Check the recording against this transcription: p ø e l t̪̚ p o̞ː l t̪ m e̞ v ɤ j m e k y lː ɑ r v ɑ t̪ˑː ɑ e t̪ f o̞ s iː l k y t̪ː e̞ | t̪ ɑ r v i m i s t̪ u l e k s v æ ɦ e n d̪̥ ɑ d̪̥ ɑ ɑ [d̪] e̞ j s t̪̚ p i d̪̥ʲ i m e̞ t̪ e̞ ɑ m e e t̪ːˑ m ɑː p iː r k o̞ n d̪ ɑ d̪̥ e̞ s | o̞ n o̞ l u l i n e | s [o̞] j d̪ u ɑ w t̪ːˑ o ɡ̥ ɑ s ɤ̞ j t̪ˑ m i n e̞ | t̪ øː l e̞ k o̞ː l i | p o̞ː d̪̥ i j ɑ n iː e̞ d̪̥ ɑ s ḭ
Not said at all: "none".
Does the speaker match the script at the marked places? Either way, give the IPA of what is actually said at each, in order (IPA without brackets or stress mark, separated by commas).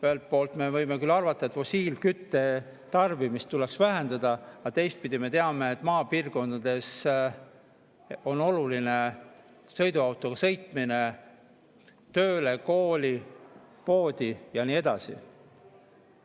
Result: t̪, ɤ̞